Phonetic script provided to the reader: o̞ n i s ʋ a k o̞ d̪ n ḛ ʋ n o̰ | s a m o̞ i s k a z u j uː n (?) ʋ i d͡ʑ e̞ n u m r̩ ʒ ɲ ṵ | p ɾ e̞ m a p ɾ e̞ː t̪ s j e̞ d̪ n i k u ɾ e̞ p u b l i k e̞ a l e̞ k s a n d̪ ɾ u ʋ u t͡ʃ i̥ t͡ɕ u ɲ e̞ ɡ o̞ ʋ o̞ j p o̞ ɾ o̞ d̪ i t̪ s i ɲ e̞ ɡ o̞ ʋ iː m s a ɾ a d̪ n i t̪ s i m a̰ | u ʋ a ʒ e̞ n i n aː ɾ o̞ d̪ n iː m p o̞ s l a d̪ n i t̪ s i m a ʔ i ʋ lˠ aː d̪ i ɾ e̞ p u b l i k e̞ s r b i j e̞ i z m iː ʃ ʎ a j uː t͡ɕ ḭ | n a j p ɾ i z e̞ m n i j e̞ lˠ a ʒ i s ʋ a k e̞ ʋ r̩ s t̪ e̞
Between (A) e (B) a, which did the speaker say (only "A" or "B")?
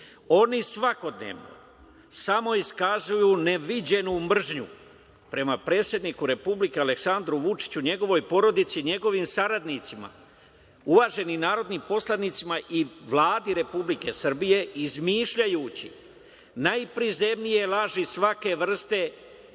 A